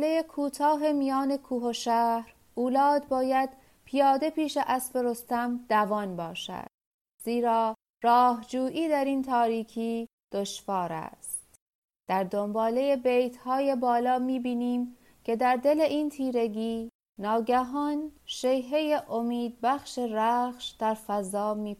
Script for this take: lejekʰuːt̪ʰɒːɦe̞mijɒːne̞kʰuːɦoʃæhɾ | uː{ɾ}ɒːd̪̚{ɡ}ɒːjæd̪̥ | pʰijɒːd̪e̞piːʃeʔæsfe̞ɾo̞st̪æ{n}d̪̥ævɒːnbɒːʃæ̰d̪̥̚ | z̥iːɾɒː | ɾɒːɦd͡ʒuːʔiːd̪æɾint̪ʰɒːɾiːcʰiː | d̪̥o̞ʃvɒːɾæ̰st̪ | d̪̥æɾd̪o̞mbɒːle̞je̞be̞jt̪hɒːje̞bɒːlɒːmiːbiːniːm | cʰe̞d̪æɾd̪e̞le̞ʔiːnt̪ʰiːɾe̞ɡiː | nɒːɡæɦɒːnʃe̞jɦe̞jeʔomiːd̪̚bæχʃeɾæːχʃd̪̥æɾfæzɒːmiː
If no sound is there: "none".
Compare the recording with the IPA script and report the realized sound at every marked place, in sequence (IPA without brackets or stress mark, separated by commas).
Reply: l, b, m